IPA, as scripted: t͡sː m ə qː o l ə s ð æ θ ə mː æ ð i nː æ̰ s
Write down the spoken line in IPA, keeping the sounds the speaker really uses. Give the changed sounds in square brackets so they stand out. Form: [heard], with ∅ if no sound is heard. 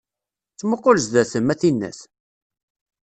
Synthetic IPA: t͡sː m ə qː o l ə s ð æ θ ə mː æ [θ] i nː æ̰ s